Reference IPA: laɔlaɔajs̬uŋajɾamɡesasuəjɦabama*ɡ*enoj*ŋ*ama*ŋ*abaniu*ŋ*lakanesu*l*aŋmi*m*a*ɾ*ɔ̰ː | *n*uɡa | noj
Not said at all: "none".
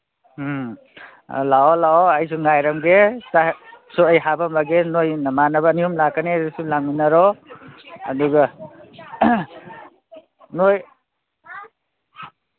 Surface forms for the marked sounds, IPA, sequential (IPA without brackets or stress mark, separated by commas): ɡ, n, n, m, l, n, ɾ, d